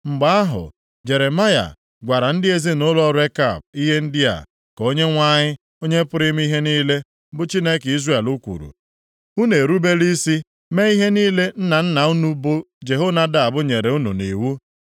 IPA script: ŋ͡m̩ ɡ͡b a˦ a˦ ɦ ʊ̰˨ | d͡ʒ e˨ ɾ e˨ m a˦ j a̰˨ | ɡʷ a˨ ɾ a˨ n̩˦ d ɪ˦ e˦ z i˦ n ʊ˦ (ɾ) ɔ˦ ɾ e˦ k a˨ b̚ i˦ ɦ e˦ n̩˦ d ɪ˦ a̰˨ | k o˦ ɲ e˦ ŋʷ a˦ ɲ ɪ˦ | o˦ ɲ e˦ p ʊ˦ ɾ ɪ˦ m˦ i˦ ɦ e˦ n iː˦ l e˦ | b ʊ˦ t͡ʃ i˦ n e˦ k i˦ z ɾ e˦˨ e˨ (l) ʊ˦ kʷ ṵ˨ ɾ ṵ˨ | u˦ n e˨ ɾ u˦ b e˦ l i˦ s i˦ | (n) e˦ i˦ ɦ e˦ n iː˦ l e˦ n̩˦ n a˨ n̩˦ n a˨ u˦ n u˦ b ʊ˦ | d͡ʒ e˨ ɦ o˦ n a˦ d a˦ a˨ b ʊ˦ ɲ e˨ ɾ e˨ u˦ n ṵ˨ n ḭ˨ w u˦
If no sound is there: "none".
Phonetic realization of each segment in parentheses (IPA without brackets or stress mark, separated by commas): l, l, m